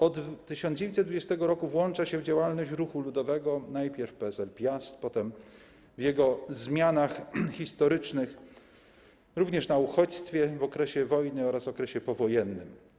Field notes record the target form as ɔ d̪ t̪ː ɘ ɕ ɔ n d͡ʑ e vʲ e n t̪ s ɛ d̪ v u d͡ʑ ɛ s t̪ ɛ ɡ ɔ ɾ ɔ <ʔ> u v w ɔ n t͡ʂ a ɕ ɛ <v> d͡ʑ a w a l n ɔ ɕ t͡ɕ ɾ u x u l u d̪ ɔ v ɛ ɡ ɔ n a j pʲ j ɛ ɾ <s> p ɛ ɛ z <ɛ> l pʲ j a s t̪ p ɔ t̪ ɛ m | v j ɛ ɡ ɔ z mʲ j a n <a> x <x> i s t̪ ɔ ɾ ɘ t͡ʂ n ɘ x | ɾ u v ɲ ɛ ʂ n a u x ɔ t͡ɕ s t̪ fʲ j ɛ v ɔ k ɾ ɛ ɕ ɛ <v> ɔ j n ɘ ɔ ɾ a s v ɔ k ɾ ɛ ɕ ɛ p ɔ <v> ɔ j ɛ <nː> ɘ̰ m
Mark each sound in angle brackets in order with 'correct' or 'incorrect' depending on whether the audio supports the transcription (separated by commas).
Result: incorrect, correct, incorrect, correct, correct, correct, correct, correct, correct